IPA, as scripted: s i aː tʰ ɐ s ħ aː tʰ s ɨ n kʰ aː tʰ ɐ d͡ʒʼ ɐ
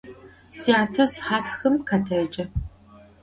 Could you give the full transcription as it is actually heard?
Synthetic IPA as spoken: s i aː tʰ ɐ s ħ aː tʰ x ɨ m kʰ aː tʰ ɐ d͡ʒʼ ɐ